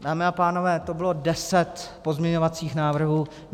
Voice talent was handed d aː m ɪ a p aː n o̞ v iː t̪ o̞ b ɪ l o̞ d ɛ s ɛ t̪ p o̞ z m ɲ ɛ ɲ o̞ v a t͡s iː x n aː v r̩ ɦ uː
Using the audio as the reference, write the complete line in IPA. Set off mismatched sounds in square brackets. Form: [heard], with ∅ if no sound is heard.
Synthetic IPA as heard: d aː m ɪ a p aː n o̞ v [ɛː] t̪ o̞ b ɪ l o̞ d ɛ s ɛ t̪ p o̞ z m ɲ ɛ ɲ o̞ v a t͡s iː x n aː v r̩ ɦ uː